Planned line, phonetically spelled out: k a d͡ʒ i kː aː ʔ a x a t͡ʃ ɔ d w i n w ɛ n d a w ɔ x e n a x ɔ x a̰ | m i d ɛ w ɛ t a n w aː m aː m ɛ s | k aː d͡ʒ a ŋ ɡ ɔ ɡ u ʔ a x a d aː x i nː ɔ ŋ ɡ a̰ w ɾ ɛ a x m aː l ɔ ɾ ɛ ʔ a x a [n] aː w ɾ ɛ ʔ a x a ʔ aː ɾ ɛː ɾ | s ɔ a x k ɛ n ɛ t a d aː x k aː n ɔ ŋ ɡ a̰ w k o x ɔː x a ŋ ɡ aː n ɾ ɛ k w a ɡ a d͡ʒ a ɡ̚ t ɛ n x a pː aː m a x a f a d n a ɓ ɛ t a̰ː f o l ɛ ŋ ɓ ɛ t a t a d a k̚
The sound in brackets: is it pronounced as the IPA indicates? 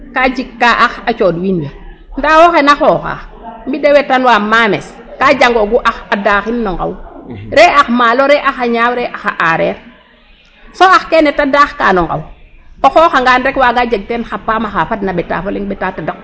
no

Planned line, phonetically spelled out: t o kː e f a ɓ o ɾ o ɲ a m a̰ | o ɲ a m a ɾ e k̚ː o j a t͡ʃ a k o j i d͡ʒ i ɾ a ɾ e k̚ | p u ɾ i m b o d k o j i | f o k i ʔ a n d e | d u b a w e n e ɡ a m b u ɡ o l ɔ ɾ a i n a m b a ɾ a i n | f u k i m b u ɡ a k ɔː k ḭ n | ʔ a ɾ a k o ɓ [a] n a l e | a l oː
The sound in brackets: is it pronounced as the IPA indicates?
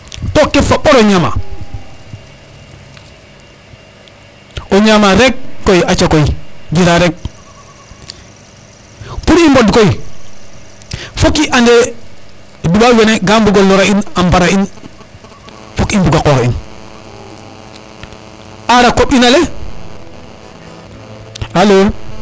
no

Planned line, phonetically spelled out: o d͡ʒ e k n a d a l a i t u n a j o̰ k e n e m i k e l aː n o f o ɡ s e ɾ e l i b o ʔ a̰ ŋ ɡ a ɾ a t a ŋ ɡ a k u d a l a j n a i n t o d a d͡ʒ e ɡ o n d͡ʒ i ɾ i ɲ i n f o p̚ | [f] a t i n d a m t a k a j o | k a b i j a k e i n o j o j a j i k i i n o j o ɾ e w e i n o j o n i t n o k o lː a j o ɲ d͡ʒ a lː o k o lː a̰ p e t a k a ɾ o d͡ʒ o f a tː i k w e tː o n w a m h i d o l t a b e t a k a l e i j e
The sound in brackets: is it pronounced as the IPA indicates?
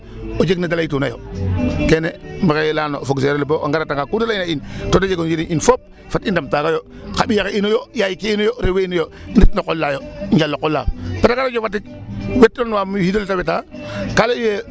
yes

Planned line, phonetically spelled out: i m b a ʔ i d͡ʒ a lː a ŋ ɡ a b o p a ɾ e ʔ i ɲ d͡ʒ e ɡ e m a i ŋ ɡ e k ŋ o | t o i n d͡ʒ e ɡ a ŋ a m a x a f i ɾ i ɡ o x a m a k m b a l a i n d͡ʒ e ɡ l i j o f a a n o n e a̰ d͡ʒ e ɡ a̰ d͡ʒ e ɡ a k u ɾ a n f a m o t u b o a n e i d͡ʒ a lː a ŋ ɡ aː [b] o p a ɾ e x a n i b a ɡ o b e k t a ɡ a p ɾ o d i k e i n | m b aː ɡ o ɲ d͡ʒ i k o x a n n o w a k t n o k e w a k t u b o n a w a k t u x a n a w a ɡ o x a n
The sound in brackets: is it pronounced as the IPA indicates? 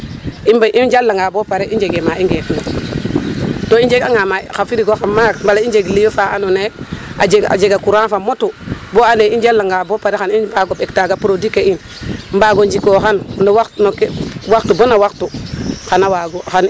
yes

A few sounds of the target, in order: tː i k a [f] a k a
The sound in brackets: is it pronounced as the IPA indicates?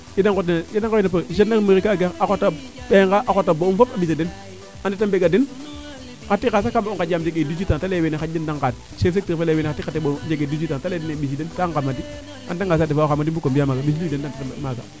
no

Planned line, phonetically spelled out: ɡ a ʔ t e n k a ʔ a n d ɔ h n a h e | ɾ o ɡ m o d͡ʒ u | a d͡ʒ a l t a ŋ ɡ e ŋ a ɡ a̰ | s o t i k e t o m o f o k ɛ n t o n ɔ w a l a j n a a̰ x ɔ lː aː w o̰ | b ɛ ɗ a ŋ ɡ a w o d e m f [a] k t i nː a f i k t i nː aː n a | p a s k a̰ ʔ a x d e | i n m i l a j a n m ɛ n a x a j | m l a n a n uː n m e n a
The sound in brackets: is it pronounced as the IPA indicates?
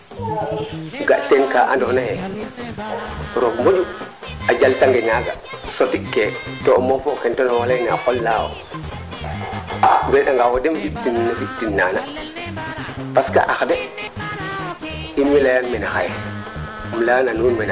no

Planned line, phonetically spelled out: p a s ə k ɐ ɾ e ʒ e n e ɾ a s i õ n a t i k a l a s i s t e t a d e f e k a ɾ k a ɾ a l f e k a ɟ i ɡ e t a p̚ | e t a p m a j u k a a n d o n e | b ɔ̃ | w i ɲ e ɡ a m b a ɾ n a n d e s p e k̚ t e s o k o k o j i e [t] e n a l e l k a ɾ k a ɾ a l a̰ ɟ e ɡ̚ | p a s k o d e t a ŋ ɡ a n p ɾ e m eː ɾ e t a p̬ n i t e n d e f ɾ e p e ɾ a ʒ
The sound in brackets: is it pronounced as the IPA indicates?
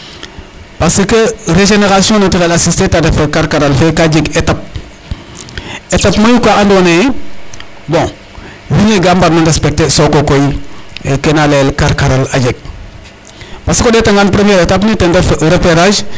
no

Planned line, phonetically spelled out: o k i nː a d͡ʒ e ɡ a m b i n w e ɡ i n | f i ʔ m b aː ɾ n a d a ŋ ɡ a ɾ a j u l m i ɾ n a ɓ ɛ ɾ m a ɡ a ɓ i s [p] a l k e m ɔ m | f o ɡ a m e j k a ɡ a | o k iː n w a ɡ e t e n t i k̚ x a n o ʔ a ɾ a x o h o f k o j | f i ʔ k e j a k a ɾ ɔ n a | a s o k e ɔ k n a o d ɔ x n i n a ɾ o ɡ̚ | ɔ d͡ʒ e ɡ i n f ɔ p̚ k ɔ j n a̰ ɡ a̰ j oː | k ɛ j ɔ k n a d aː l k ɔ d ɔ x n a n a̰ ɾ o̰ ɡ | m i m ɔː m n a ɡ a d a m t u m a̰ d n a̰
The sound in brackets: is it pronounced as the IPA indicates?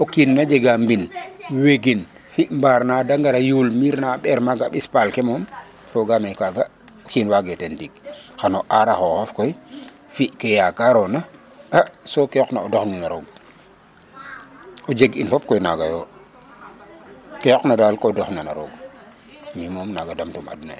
yes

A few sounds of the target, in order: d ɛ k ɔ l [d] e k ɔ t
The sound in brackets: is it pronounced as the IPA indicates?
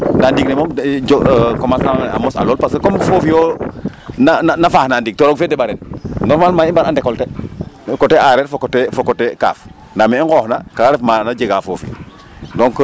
no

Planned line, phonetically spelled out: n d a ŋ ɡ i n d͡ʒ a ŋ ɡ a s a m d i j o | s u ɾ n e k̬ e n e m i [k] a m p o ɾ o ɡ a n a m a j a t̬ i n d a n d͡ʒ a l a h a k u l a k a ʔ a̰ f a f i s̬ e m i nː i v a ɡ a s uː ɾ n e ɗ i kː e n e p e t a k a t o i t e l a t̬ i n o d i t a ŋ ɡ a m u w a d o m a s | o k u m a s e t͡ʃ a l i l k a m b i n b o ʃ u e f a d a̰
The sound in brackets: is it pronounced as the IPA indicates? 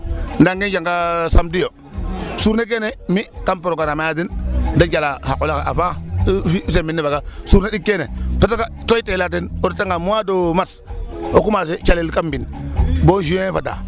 yes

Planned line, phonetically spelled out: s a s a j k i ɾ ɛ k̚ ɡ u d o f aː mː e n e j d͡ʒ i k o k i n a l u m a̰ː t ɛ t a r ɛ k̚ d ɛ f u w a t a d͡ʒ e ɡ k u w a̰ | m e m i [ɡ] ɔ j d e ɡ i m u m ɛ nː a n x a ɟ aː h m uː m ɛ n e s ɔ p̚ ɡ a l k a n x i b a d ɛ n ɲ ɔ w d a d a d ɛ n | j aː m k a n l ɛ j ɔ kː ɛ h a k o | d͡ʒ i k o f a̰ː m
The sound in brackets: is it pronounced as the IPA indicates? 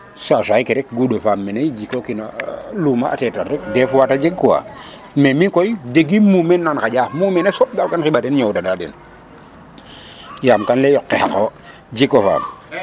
no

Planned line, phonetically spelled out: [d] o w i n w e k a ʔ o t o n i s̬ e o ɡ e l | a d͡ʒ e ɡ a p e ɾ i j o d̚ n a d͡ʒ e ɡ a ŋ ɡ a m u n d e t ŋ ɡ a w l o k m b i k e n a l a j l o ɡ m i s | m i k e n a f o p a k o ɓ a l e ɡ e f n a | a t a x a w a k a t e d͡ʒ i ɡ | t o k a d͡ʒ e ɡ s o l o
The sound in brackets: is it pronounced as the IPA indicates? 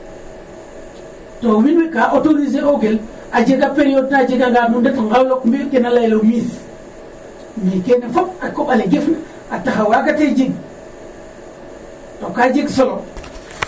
no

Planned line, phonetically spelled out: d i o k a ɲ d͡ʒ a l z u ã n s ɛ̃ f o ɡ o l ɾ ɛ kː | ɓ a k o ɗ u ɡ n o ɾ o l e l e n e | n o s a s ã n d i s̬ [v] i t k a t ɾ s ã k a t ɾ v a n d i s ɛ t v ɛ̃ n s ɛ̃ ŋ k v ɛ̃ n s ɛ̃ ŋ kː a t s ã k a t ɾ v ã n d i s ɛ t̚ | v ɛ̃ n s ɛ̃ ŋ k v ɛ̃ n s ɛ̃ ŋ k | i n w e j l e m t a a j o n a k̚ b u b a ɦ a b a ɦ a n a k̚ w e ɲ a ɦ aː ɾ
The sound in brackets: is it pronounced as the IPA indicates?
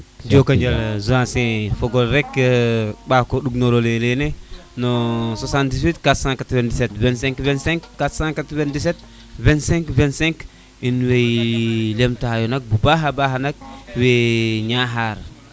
no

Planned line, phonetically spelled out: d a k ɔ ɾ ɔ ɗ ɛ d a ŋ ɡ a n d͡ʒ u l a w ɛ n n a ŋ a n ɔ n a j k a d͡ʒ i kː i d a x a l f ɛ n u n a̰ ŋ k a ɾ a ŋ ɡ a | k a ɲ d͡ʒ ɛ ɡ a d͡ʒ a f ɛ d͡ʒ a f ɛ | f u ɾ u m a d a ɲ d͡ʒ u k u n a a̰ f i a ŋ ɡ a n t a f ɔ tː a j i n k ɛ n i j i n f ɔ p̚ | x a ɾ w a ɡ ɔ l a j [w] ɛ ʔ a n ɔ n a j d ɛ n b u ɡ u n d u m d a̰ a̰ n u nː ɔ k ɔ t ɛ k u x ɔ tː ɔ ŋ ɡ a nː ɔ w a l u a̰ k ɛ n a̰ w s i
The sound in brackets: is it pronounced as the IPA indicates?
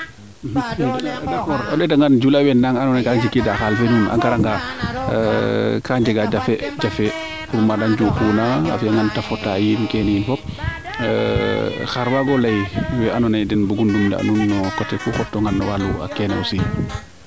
yes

